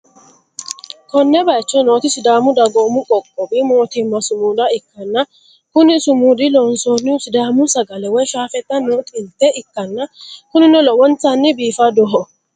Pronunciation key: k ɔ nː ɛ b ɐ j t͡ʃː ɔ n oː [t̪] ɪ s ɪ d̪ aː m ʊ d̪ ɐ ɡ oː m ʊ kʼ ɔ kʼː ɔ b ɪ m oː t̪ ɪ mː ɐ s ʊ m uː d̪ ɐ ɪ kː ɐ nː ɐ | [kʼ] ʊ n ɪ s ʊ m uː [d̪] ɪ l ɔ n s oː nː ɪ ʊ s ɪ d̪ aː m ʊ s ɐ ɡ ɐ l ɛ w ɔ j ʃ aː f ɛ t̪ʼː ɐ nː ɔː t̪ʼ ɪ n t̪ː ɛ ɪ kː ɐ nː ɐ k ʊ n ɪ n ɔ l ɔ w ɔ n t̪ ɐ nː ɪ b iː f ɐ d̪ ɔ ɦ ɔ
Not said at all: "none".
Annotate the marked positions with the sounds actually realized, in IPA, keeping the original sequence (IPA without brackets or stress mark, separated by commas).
t̪, k, d̪